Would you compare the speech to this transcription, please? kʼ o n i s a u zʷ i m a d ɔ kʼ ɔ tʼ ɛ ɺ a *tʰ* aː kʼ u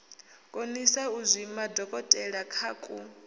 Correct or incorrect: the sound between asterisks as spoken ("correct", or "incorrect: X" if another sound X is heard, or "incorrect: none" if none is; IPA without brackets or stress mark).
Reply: incorrect: kʰ